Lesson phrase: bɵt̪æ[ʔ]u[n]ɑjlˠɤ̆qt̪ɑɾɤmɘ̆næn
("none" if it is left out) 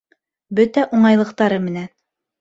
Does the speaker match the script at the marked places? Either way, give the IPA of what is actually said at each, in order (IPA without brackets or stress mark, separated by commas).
ʔ, ɴ